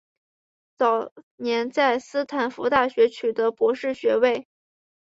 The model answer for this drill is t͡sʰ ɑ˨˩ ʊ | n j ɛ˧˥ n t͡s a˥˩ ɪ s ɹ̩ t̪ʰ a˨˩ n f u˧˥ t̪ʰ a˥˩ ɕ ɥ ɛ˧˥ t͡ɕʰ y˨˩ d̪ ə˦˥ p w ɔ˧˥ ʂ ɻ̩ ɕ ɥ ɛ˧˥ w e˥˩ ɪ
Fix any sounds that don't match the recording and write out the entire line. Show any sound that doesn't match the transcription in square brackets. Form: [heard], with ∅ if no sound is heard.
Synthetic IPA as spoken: [t͡s] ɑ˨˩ ʊ | n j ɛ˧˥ n t͡s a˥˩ ɪ s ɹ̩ t̪ʰ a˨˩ n f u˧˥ [t̪] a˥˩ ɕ ɥ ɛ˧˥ t͡ɕʰ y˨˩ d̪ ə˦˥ p w ɔ˧˥ ʂ ɻ̩ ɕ ɥ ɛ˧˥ w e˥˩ ɪ